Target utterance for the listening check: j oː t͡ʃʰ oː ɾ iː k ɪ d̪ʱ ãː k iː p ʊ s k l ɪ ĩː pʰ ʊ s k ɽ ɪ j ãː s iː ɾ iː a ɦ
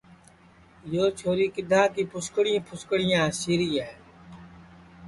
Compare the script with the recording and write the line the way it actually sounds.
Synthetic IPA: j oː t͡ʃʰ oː ɾ iː k ɪ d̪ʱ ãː k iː p ʊ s k ɽ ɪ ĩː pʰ ʊ s k ɽ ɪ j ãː s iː ɾ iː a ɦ